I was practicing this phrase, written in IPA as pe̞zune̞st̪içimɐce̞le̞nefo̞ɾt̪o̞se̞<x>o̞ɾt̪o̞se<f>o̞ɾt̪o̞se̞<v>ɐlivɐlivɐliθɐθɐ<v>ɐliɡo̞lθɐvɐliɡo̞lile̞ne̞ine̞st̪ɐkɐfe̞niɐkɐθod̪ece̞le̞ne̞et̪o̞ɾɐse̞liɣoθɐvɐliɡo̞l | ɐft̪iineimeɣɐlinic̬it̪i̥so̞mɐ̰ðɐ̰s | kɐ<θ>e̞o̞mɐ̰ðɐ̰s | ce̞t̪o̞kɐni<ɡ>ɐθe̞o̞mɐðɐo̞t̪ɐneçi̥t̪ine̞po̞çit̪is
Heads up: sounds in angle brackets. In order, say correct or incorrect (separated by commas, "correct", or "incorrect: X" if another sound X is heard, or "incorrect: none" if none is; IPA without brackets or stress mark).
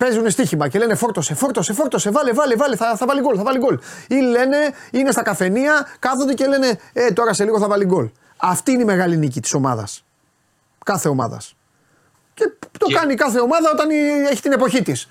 incorrect: f, correct, correct, correct, correct, incorrect: k